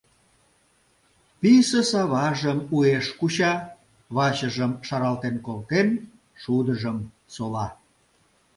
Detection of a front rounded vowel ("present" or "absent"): absent